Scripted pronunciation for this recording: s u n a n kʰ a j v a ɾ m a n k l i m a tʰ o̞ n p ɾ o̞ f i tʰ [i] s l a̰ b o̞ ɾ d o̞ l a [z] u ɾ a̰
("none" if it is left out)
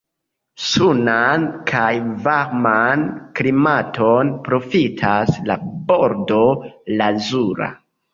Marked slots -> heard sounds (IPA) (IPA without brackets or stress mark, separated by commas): a, z